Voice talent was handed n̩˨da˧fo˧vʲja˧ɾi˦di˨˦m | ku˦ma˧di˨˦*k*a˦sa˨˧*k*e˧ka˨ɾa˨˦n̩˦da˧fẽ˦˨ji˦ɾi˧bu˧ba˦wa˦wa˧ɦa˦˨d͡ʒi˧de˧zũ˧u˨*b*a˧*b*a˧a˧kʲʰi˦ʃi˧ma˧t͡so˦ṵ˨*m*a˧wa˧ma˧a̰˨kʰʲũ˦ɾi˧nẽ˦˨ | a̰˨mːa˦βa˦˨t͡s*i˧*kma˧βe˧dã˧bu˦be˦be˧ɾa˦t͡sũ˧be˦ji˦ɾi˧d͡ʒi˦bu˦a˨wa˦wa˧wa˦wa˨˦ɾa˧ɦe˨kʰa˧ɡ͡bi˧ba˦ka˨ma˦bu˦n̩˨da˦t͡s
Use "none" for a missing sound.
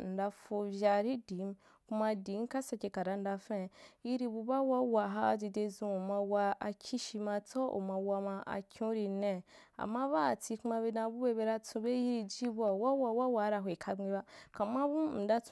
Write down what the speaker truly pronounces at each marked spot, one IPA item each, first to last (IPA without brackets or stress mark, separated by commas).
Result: k, k, m, w, m, i˧